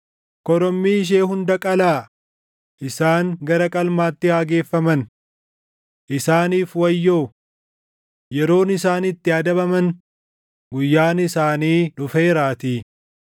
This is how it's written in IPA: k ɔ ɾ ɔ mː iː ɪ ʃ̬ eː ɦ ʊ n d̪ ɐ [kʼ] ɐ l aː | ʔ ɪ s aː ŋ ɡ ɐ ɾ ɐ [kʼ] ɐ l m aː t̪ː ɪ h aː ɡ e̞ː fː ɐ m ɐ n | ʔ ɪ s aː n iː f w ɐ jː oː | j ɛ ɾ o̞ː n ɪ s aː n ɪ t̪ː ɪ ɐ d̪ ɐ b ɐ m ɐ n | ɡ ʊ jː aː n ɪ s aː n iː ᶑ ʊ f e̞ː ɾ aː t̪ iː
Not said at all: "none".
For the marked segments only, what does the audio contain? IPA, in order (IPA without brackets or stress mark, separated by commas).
kʼ, kʼ